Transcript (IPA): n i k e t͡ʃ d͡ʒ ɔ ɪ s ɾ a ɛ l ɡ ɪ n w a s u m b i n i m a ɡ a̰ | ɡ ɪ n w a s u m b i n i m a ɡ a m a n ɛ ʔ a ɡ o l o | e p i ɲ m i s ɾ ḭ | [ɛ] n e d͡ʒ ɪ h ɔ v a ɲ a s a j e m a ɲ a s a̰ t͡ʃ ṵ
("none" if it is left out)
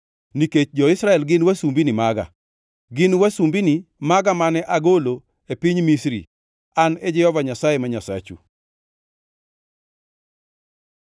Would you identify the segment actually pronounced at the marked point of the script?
a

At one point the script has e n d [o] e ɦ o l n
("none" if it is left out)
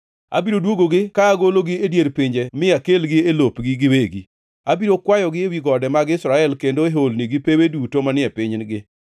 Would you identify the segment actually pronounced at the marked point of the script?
o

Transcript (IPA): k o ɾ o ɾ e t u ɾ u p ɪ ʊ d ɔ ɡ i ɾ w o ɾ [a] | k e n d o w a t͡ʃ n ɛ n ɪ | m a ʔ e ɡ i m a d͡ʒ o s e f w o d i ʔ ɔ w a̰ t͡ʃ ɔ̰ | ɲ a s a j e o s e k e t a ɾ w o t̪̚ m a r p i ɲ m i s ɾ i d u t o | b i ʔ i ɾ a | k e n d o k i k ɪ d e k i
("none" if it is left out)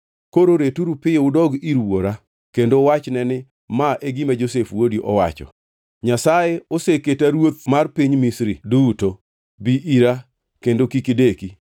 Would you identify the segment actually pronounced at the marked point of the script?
a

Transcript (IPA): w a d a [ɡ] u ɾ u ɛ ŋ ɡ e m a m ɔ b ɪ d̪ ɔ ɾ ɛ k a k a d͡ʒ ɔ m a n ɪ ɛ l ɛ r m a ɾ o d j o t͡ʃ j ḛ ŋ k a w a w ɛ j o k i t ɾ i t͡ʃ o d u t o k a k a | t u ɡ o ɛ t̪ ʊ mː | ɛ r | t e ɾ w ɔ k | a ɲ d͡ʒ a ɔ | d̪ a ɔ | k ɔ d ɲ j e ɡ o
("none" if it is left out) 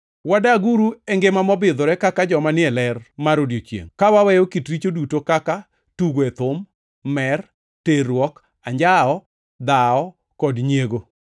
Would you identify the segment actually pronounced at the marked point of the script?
ɡ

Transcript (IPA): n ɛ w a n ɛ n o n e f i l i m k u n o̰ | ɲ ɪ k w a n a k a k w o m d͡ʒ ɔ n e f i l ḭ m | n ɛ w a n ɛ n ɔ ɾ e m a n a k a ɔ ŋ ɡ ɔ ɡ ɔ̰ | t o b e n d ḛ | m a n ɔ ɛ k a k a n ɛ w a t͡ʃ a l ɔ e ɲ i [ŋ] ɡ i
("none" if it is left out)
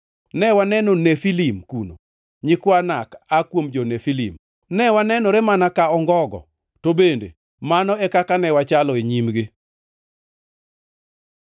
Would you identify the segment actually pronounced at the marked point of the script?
m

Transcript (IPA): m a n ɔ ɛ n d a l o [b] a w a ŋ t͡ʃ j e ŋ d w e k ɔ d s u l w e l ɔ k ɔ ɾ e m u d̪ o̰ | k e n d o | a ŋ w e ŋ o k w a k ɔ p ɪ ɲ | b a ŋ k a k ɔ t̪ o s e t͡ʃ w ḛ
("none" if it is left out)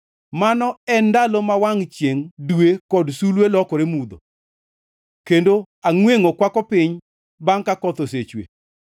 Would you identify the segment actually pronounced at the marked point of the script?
m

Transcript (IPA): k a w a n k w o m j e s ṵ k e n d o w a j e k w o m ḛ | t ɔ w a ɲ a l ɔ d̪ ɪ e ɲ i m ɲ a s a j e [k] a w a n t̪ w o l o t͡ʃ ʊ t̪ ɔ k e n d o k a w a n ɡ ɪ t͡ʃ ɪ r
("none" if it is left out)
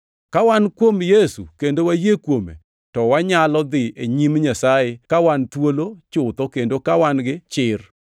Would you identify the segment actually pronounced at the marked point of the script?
k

